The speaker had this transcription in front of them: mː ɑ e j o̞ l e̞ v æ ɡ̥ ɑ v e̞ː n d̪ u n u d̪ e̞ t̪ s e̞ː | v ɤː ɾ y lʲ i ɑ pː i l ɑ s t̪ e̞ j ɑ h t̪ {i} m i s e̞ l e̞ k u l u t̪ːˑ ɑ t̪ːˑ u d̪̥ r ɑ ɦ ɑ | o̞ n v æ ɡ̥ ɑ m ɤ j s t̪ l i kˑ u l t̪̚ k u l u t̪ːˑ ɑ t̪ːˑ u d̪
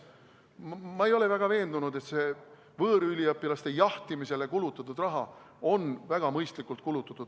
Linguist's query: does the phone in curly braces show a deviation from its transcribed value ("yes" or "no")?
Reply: no